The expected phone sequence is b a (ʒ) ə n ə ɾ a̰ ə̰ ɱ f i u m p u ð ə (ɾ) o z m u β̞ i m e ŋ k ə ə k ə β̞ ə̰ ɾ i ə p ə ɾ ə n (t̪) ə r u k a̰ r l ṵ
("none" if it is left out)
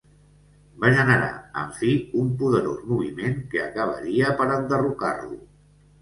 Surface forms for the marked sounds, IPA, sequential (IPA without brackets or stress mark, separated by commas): ʒ, ɾ, d̪